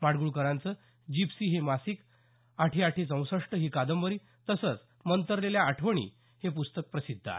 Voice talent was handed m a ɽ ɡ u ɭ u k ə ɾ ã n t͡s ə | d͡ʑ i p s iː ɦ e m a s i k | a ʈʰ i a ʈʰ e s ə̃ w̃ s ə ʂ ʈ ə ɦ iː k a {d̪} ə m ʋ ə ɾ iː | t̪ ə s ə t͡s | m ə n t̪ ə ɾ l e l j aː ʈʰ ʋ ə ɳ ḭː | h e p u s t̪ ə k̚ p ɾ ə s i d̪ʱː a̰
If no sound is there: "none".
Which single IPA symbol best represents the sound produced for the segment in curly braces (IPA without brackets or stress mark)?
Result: d̪